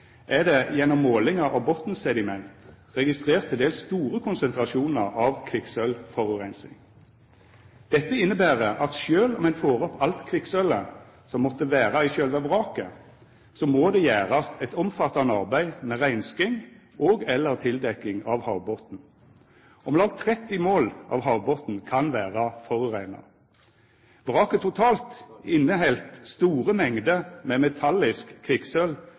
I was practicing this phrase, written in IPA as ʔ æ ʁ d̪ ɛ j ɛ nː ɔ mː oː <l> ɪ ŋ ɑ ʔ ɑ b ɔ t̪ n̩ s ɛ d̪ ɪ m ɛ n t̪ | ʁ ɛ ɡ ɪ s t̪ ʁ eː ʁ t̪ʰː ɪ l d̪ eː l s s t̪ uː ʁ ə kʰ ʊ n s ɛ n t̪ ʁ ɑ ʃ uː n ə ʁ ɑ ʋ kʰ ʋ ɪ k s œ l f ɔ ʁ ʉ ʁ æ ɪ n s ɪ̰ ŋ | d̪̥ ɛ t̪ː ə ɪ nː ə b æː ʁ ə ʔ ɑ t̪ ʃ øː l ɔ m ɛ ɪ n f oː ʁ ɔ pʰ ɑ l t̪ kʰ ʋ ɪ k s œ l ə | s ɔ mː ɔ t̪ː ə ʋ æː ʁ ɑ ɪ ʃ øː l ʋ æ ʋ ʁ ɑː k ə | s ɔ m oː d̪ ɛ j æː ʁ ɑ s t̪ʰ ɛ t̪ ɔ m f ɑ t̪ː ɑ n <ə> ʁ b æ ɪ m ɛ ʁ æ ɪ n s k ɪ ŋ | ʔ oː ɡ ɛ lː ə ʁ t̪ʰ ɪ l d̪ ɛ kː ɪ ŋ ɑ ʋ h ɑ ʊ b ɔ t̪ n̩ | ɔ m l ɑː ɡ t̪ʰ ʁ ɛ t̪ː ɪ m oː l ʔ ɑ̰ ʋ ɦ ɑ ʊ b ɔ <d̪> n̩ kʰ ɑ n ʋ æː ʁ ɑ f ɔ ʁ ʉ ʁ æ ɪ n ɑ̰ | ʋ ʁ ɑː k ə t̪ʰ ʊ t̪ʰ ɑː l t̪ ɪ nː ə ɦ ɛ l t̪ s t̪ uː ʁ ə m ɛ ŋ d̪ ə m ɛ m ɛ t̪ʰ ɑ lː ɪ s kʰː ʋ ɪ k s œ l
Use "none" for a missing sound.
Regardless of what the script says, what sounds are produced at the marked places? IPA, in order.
l, ɑ, t̪

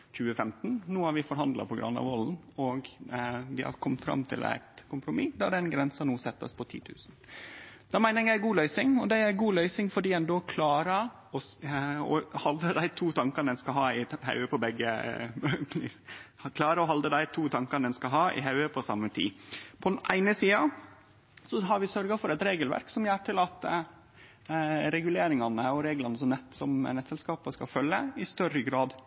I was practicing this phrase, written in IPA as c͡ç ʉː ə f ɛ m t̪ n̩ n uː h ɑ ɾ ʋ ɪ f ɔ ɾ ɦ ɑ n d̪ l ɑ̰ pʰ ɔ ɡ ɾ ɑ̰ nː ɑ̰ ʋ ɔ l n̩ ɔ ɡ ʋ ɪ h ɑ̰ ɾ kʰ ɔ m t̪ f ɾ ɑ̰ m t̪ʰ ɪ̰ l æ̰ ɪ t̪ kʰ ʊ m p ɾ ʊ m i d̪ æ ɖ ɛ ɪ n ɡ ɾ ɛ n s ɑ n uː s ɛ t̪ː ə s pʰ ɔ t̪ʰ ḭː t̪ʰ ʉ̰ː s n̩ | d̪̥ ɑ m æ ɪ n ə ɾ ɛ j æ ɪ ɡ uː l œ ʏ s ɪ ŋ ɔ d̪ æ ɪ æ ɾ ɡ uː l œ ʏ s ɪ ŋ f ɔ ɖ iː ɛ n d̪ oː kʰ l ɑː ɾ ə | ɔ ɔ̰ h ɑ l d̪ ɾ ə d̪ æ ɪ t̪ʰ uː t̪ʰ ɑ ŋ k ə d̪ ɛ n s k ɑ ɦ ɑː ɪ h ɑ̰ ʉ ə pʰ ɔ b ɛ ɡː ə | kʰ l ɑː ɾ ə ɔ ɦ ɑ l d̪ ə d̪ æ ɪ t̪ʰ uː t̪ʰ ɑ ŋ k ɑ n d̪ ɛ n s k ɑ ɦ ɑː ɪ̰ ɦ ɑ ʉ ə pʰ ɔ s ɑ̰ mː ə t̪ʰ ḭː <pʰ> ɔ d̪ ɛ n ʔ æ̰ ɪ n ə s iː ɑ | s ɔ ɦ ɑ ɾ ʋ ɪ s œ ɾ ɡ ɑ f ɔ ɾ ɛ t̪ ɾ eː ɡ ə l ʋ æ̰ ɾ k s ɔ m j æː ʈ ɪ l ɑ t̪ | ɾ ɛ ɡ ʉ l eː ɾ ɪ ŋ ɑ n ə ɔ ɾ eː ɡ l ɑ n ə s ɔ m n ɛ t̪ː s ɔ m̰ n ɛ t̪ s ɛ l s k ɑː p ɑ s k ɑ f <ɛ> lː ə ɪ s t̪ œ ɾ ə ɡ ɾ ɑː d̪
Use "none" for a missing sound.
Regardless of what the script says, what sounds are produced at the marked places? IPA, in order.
pʰ, œ

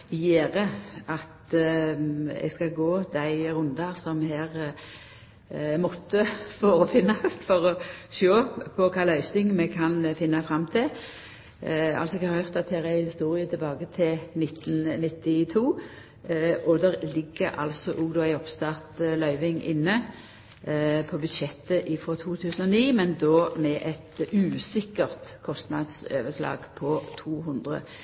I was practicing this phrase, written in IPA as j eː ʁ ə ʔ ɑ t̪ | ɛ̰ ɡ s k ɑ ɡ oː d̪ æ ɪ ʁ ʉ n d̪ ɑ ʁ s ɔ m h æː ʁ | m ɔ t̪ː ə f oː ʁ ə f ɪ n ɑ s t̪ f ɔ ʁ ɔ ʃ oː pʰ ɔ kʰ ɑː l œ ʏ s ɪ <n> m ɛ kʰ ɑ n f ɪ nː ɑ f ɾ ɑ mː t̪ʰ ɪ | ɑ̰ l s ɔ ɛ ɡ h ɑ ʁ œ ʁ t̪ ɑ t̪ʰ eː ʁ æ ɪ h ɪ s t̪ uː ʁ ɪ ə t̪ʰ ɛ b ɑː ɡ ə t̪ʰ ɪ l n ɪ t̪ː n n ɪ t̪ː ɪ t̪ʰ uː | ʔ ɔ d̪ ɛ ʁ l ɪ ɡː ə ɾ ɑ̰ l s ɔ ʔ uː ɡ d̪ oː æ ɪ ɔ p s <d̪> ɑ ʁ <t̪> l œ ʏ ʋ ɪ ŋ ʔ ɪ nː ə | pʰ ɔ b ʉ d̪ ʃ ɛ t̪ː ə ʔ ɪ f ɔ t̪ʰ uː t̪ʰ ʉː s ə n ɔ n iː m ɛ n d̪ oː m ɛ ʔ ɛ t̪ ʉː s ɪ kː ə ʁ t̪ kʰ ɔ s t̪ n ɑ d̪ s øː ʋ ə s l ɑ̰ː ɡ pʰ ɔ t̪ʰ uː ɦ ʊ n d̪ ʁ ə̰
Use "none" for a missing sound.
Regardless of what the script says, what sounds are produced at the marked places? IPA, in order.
ŋ, t̪, t̪

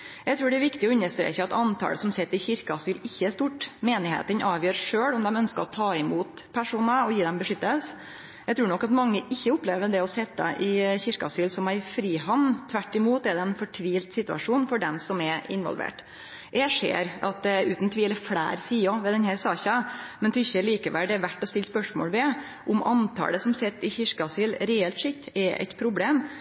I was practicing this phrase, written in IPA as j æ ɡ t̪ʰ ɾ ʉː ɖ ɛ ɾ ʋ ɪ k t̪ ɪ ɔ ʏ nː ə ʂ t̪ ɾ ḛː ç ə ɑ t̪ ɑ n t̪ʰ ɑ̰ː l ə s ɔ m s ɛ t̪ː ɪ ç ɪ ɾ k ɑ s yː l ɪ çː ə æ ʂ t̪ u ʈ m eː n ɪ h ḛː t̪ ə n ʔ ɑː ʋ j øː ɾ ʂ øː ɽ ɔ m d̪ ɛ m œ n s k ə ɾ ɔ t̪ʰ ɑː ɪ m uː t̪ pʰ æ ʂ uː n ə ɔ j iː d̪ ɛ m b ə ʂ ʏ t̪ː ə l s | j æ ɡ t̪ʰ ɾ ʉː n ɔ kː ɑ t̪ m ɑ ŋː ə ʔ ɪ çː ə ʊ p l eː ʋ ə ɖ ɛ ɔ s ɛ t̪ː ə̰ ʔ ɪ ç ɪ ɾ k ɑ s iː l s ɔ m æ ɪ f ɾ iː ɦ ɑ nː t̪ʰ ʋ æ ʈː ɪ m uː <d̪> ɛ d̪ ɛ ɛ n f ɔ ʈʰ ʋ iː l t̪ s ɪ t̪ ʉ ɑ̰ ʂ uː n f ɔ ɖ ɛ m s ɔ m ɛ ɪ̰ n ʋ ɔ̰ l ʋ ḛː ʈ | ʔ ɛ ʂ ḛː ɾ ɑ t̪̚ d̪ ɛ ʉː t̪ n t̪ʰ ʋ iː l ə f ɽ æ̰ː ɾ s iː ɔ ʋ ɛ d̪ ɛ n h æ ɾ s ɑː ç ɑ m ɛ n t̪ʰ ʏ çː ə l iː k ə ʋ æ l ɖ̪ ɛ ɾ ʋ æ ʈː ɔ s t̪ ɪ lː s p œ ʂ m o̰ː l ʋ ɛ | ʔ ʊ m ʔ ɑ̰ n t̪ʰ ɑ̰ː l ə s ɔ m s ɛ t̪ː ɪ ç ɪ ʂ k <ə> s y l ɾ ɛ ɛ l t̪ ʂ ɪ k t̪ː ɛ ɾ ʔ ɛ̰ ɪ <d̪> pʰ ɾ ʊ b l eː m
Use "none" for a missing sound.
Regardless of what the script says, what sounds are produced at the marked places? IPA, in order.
t̪, ɑ, t̪

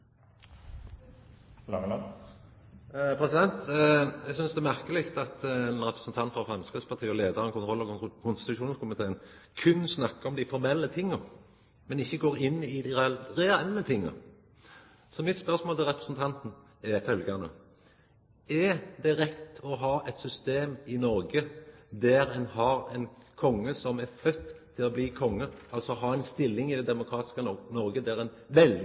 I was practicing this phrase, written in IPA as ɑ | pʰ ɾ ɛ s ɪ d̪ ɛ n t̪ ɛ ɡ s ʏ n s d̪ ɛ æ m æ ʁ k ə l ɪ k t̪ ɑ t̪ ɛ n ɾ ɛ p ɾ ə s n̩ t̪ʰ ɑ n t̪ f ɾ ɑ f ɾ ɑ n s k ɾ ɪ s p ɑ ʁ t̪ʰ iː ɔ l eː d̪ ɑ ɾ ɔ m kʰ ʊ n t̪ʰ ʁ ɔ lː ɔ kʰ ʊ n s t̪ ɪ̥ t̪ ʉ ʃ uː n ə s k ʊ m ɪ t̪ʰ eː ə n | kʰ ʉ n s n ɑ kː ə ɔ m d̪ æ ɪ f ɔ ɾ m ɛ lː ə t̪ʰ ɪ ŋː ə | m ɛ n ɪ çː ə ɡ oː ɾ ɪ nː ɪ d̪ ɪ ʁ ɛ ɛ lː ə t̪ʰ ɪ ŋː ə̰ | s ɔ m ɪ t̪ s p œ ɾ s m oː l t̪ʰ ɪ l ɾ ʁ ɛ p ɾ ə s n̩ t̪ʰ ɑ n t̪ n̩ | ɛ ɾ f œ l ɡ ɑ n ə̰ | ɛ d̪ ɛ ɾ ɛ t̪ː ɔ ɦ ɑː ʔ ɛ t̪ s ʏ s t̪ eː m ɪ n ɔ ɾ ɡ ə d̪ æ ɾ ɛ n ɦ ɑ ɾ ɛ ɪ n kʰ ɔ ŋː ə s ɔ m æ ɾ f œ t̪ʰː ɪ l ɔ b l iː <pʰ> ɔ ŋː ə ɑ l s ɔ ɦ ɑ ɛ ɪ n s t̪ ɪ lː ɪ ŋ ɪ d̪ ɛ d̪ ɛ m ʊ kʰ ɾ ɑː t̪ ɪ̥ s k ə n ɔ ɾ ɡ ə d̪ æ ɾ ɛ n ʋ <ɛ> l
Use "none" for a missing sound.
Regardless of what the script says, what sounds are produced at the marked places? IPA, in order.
kʰ, ɛ

